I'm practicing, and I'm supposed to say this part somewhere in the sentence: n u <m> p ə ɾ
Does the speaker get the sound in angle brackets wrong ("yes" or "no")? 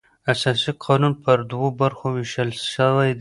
yes